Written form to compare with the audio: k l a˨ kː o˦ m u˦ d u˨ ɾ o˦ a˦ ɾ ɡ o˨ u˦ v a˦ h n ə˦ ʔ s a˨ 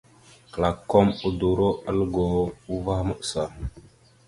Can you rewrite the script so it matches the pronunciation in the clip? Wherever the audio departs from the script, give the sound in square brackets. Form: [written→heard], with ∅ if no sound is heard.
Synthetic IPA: k l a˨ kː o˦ m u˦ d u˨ ɾ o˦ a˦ [ɾ→l] ɡ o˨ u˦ v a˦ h [n→m] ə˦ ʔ s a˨

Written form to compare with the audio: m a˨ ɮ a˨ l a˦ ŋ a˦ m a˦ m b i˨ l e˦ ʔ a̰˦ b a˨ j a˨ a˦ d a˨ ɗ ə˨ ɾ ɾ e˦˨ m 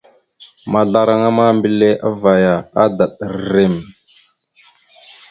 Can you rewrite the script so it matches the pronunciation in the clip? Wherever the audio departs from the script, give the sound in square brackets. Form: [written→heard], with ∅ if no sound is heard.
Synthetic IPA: m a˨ ɮ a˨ [l→ɾ] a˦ ŋ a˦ m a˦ m b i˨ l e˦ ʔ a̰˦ [b→v] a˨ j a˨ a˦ d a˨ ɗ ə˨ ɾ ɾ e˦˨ m

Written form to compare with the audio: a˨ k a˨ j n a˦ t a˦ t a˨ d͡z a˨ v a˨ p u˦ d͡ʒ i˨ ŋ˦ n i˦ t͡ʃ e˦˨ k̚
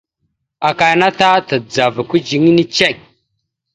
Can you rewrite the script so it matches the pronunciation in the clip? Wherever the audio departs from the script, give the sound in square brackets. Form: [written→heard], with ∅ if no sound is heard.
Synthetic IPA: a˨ k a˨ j n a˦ t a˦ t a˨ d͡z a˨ v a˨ [p→k] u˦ d͡ʒ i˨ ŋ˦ n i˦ t͡ʃ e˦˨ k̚

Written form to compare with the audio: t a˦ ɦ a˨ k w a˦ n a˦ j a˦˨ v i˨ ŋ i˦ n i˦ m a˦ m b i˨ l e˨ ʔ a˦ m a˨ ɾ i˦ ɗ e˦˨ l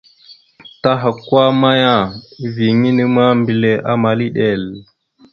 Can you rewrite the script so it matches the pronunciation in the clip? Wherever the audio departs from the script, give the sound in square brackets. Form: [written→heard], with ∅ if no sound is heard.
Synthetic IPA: t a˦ ɦ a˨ k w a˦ [n→m] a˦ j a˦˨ v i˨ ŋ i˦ n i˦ m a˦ m b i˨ l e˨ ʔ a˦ m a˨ [ɾ→l] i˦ ɗ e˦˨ l

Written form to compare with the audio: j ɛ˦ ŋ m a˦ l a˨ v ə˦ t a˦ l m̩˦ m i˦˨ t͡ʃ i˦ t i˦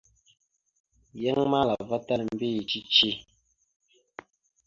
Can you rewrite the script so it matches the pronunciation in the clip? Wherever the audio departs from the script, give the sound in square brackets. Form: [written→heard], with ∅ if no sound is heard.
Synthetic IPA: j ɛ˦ ŋ m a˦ l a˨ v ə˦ t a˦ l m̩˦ [m→b] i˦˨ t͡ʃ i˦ [t→t͡ʃ] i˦

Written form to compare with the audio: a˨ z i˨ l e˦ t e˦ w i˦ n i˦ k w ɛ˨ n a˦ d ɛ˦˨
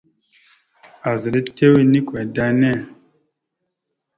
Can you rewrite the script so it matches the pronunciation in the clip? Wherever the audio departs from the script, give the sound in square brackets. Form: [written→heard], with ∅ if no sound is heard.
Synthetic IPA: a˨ z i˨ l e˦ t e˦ w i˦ n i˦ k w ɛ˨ [n→d] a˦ [d→n] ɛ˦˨

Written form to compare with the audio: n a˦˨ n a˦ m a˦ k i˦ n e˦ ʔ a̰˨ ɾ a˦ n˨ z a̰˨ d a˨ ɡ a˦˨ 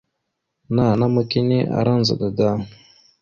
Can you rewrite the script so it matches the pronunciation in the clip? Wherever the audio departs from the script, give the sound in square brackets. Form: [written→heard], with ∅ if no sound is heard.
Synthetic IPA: n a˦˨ n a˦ m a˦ k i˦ n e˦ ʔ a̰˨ ɾ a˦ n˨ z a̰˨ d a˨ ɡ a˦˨

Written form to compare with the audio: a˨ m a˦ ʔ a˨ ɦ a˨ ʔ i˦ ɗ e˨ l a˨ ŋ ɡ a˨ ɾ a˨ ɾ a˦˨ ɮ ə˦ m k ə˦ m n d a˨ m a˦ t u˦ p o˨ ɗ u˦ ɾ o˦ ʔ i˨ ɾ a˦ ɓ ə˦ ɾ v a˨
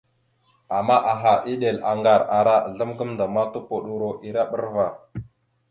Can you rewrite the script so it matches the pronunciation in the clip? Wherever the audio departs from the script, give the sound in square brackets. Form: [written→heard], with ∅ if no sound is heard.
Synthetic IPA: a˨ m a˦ ʔ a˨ ɦ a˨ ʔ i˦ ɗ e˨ l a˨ ŋ ɡ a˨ ɾ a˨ ɾ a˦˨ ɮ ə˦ m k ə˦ m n d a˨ m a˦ t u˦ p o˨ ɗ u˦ ɾ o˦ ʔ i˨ ɾ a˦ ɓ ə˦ ɾ v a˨

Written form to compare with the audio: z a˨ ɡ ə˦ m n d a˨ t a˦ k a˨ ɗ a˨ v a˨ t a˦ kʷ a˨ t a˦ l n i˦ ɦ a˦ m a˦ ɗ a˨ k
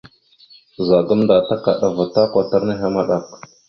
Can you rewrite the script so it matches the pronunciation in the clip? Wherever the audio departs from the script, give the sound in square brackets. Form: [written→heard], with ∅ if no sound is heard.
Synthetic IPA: z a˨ ɡ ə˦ m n d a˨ t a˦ k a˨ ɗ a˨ v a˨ t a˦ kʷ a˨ t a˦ [l→ɾ] n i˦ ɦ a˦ m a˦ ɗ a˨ k

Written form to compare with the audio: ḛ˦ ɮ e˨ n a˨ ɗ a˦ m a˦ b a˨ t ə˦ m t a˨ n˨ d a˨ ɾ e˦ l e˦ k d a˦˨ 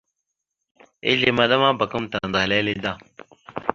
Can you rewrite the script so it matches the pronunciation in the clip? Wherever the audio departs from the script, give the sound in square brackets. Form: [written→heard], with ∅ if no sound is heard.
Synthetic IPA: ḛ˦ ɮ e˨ [n→m] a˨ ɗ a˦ m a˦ b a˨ [t→k] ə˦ m t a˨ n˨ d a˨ [ɾ→l] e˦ l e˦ [k→∅] d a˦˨

